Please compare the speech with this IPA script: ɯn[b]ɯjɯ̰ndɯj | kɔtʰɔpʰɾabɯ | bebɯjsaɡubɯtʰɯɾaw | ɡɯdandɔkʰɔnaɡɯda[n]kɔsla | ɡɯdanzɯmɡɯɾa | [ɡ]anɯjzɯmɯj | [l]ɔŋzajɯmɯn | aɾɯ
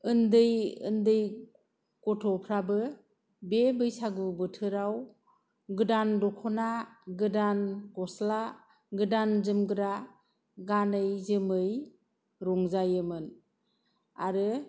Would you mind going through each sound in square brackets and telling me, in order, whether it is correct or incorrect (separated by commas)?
incorrect, correct, correct, incorrect